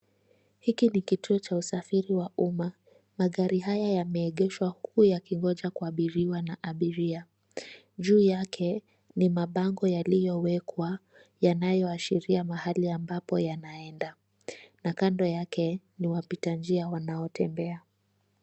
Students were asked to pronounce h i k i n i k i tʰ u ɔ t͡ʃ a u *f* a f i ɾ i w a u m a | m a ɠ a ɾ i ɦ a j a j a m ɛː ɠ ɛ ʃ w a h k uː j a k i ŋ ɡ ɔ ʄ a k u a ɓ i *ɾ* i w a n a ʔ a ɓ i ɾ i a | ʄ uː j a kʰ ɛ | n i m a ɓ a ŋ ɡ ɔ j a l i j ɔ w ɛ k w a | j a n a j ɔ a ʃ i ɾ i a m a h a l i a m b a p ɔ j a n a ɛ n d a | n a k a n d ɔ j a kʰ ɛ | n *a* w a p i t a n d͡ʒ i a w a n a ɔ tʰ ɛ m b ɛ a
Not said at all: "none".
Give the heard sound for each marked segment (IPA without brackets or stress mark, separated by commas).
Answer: s, ɾ, i